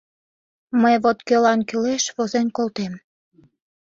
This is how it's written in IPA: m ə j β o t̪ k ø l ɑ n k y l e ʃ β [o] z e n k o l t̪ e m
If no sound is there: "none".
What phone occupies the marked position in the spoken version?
o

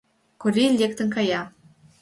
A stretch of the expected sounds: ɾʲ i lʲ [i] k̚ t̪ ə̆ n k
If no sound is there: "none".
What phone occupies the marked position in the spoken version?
e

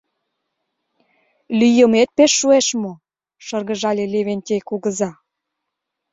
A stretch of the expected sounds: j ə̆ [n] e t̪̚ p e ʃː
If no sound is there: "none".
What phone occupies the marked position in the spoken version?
m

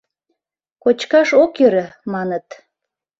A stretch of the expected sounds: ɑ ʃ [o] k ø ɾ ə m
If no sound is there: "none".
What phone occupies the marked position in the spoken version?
o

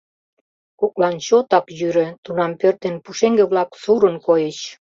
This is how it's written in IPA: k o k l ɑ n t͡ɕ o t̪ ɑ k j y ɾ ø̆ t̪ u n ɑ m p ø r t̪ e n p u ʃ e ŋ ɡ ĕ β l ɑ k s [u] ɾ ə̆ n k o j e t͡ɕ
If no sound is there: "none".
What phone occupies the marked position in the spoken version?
u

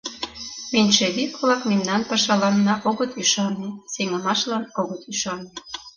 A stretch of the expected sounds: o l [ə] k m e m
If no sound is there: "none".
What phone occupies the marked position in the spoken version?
ɑ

